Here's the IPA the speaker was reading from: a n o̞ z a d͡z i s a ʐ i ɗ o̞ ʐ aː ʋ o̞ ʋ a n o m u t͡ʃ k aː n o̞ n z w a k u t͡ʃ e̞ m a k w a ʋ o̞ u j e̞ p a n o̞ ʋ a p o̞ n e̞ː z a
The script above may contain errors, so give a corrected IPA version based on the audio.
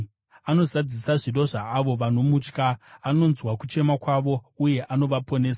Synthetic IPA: a n o̞ z a d͡z i s a ʐ i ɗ o̞ ʐ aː ʋ o̞ ʋ a n o m u t͡ʃ k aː n o̞ n z w a k u t͡ʃ e̞ m a k w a ʋ o̞ u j e̞ ʔ a n o̞ ʋ a p o̞ n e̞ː s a